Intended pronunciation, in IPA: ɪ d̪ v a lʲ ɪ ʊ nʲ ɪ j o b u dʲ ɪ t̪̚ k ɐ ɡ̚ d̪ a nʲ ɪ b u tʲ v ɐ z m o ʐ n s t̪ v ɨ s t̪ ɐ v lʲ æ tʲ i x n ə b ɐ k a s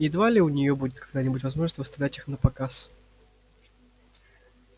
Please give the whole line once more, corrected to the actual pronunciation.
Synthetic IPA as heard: ɪ d̪ v a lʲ ɪ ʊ nʲ ɪ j o b u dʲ ɪ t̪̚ k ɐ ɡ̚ d̪ a nʲ ɪ b u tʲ v ɐ z m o ʐ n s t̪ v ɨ s t̪ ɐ v lʲ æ tʲ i x n ə p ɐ k a s